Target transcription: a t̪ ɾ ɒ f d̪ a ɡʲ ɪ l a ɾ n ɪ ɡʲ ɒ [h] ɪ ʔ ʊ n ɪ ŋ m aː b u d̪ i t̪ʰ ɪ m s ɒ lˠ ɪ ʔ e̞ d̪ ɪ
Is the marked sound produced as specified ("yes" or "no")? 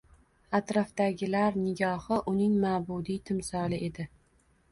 yes